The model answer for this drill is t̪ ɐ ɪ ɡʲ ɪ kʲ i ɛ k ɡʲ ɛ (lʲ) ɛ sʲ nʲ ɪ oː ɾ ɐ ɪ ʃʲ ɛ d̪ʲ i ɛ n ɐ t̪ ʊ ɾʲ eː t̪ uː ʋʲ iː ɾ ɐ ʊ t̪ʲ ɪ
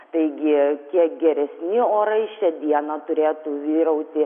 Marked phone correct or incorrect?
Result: incorrect